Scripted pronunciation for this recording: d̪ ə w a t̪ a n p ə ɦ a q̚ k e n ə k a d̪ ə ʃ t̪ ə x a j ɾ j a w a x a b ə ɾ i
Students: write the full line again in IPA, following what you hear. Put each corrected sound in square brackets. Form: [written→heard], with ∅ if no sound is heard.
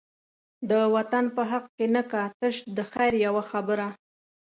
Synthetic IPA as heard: d̪ ə w a t̪ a n p ə ɦ a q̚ k e n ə k a [d̪→t̪] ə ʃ [t̪→d̪] ə x a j ɾ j a w a x a b ə ɾ [i→a]